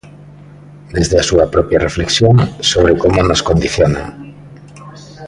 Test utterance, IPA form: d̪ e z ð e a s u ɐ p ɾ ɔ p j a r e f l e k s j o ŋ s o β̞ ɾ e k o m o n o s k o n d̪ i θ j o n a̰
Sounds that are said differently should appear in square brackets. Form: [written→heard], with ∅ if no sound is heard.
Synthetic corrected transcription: d̪ e z ð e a s u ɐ p ɾ ɔ p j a r e f l e k s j o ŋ s o β̞ ɾ e k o m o n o s k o n d̪ i θ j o n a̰